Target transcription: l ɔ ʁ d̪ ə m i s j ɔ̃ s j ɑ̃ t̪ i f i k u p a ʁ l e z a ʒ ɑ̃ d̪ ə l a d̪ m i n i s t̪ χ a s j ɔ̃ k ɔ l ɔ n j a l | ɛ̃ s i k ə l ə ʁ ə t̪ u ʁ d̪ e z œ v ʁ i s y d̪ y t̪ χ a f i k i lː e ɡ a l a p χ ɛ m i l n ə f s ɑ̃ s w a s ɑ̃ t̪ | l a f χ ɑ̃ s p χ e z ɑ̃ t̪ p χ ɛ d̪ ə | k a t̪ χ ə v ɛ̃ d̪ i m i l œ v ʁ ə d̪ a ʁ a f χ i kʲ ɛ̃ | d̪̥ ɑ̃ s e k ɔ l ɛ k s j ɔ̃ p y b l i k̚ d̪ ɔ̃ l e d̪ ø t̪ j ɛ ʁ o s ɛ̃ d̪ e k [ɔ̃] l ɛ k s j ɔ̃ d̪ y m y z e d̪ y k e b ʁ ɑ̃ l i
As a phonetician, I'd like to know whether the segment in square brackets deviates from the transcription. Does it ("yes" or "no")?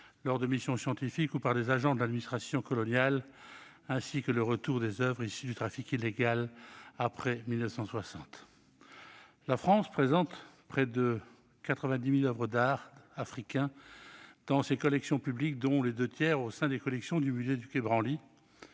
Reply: yes